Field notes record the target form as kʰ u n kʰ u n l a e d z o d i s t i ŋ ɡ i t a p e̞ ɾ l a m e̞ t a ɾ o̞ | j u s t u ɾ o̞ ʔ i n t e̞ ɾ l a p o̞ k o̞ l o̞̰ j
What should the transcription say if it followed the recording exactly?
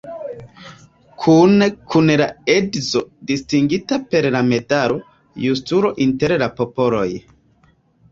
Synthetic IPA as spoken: kʰ u n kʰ u n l a e d z o d i s t i ŋ ɡ i t a p e̞ ɾ l a m e̞ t a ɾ o̞ | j u s t u ɾ o̞ ʔ i n t e̞ ɾ l a p o̞ p o̞ l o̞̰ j